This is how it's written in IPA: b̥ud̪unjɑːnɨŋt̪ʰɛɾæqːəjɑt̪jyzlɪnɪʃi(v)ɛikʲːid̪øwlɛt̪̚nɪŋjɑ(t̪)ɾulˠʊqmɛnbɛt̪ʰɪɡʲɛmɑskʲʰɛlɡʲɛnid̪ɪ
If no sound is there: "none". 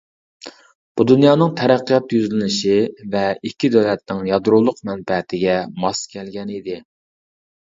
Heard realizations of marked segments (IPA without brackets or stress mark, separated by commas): v, d̪